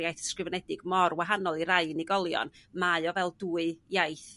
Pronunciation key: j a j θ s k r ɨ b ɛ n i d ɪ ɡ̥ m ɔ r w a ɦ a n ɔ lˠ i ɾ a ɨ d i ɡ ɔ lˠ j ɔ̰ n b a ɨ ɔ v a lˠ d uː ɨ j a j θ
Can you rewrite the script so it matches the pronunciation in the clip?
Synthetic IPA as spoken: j a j θ s k r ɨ v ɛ n ɛ d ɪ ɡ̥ m ɔ r w a ɦ a n ɔ lˠ i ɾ a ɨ n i ɡ ɔ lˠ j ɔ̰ n m a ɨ ɔ v ɛ lˠ d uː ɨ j a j θ